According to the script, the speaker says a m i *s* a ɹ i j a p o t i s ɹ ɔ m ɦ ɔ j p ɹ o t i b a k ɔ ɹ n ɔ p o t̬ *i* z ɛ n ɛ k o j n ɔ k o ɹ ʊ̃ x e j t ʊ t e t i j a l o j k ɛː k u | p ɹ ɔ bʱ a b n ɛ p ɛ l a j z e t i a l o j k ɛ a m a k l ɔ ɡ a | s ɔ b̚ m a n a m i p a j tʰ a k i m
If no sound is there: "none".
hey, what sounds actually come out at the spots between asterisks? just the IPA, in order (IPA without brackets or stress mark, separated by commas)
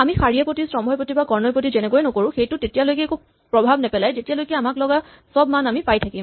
x, i